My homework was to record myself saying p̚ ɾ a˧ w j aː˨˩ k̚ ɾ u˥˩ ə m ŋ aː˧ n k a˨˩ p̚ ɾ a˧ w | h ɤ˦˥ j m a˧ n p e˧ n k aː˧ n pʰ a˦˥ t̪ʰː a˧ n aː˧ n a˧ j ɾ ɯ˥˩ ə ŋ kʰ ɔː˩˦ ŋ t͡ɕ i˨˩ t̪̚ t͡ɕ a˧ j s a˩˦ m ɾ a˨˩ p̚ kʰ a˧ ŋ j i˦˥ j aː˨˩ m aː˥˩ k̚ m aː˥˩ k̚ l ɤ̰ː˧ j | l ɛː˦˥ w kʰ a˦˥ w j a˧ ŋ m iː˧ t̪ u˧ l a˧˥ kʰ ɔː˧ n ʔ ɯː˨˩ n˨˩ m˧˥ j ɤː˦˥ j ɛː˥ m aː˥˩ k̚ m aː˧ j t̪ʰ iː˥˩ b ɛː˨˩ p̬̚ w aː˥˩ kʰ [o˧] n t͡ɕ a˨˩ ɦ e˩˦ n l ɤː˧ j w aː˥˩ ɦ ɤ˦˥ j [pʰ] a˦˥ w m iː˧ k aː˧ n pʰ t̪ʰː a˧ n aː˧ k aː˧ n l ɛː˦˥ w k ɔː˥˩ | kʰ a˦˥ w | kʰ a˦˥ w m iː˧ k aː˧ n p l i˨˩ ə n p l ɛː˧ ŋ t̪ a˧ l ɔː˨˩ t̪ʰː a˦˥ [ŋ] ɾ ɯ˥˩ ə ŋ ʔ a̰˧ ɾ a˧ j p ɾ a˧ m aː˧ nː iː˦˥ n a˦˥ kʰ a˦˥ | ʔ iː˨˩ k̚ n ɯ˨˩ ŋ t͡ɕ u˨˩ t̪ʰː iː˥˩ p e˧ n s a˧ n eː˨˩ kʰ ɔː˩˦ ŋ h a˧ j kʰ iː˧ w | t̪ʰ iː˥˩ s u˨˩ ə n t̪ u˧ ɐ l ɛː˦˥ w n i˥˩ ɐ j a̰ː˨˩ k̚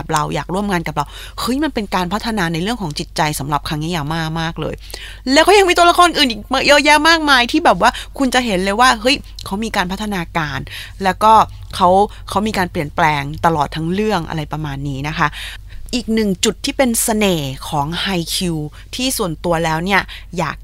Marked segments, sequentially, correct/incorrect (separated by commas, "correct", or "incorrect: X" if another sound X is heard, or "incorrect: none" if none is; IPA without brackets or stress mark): incorrect: u˧, incorrect: kʰ, correct